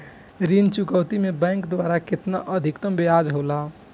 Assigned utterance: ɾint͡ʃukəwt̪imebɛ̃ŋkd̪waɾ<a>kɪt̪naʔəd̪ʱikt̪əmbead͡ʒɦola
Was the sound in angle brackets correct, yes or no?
yes